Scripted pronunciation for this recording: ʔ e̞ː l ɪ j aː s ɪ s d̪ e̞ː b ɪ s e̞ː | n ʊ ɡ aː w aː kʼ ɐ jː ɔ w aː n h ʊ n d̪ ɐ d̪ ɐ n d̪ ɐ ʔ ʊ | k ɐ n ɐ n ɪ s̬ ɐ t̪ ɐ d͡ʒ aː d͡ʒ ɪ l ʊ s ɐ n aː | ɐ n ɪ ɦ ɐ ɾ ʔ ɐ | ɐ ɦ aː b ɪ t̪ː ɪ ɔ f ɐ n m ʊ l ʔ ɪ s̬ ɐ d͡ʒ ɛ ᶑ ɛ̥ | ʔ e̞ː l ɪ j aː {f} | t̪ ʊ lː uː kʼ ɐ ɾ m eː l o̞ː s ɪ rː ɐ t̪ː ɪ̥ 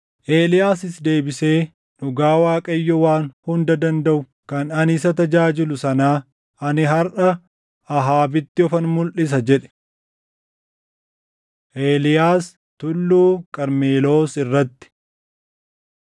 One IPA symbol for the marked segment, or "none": s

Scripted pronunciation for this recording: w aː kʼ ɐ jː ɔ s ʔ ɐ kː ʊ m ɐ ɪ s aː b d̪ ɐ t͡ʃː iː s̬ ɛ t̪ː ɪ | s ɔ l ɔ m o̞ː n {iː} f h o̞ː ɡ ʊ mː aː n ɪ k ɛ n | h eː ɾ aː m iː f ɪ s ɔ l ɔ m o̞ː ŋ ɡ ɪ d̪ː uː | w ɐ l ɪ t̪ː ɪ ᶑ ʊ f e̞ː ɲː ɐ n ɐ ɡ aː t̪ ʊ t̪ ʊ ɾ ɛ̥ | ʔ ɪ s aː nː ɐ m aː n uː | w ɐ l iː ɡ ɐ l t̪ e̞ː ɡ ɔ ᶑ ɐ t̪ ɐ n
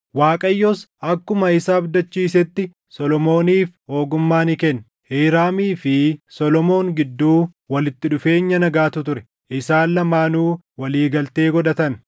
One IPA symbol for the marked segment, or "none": iː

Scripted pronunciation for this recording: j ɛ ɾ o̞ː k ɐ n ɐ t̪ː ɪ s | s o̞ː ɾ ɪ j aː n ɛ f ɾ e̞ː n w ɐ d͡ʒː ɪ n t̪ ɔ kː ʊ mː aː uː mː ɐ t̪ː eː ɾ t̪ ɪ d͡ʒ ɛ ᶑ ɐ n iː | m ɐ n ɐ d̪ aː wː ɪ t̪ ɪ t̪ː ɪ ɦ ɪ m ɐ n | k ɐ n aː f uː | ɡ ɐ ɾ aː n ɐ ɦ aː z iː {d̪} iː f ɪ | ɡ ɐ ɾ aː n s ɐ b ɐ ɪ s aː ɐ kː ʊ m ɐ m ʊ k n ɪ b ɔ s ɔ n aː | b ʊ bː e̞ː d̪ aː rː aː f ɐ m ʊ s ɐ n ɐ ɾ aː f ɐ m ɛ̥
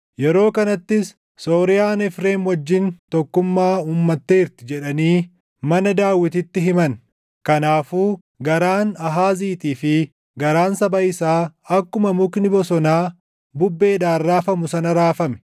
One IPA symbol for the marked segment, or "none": t̪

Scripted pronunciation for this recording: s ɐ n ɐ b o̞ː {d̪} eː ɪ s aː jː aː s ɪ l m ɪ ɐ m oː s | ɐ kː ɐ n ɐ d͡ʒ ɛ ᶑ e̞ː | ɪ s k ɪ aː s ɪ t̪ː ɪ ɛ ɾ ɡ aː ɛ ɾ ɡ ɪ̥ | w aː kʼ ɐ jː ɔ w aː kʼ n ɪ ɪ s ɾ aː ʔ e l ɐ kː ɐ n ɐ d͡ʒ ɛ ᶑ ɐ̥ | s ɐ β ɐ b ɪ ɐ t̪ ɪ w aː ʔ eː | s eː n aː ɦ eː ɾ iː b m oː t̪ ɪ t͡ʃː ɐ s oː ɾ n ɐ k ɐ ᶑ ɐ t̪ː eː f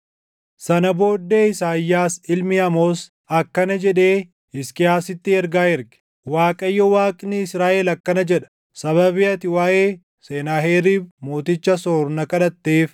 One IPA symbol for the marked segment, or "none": d̪ː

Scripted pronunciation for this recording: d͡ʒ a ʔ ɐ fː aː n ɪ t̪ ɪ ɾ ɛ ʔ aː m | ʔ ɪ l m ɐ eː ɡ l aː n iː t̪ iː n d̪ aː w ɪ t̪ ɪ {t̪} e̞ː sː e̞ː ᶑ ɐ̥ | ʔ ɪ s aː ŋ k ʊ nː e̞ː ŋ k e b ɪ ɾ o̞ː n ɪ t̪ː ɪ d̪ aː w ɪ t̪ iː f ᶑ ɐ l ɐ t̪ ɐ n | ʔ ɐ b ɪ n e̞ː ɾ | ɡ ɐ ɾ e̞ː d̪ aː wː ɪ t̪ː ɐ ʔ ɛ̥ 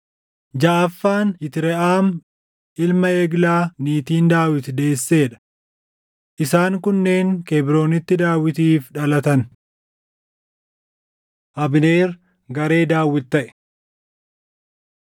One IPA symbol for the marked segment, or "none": d̪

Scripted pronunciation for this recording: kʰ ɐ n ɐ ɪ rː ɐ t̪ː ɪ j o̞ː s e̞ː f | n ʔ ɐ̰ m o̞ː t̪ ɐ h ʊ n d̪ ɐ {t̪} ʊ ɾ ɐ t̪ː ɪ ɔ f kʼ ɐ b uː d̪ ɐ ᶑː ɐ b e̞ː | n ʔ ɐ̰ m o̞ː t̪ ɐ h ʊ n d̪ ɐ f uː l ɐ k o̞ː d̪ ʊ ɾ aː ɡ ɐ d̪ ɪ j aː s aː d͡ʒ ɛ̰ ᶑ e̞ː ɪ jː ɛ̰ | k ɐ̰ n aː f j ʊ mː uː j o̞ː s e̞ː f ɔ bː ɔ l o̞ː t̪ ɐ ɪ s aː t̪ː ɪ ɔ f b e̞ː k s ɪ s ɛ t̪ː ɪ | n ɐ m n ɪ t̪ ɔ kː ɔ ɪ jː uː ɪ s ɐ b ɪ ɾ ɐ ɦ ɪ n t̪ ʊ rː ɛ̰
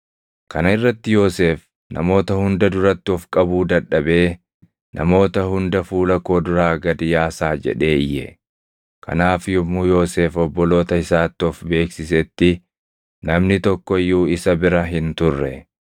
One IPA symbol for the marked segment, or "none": d̪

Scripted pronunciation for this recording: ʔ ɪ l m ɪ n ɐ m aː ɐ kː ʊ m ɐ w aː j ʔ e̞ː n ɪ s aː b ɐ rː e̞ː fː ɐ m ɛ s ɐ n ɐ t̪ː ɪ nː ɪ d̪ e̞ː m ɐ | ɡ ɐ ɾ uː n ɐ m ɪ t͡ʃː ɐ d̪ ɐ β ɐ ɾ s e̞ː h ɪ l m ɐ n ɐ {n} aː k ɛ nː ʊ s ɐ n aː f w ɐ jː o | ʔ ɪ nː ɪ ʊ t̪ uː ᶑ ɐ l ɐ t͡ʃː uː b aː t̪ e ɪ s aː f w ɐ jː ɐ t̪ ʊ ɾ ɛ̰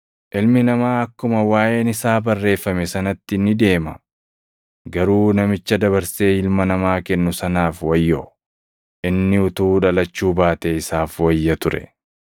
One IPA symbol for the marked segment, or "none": m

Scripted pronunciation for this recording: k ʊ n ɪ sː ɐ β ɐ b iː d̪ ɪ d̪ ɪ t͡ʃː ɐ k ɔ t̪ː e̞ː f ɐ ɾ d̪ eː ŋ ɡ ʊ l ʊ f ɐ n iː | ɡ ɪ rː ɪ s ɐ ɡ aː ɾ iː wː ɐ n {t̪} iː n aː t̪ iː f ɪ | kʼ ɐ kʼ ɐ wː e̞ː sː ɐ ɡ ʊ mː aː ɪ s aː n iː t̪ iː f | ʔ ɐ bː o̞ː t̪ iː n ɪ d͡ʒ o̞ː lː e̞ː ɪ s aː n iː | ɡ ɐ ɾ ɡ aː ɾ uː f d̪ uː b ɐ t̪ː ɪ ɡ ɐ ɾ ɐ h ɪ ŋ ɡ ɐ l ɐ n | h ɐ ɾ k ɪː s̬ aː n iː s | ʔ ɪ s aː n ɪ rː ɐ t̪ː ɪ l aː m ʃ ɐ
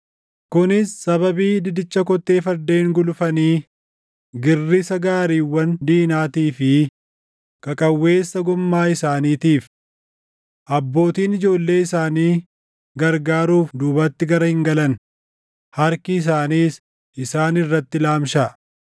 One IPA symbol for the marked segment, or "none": d̪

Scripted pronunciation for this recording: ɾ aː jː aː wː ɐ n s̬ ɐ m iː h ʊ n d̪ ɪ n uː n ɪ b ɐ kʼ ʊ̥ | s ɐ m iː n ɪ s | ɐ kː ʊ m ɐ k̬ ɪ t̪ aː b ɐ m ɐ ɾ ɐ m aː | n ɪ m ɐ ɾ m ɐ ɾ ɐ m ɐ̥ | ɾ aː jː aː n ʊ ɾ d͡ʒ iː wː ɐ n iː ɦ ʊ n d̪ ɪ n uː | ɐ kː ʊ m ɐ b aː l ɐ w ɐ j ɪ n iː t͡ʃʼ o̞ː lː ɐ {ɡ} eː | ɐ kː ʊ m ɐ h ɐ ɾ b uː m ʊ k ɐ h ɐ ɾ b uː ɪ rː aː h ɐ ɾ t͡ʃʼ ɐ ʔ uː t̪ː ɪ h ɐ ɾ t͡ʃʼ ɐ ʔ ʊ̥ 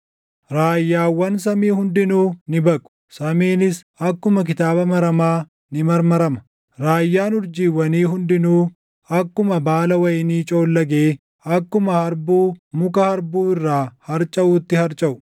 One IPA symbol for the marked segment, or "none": ɡ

